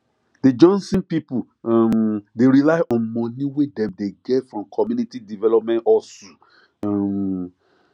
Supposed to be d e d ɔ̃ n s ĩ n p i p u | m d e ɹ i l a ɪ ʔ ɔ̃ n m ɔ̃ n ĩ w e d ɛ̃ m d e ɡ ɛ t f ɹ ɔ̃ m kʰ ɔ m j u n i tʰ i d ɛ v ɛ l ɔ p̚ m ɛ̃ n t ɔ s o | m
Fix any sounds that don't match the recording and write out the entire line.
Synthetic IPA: d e d͡ʒ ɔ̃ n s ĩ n p i p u | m d e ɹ i l a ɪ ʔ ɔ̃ n m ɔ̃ n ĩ w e d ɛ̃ m d e ɡ ɛ t f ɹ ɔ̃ m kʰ ɔ m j u n i t i d i v ɛ l ɔ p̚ m ɛ̃ n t ɔ s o | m